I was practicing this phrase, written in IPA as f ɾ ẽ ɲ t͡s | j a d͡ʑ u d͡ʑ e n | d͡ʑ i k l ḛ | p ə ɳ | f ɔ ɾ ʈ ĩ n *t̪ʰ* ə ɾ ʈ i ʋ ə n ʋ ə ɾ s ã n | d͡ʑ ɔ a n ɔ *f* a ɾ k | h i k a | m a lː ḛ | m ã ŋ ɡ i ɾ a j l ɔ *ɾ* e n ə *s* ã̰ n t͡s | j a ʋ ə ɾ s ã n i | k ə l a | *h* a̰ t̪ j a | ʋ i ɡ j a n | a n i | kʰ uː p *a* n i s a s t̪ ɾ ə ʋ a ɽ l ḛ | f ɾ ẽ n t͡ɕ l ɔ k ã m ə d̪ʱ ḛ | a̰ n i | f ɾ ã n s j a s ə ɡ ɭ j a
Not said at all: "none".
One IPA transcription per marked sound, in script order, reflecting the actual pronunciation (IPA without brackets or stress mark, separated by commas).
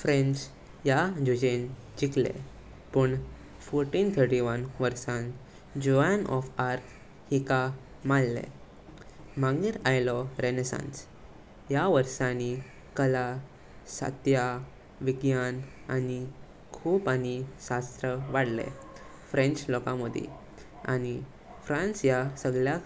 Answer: t̪ʰ, f, ɾ, s, s, a